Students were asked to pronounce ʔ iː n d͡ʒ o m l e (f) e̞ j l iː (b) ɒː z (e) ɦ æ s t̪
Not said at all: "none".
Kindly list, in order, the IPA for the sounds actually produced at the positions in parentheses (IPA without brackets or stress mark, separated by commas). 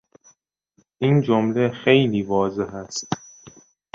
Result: x, v, e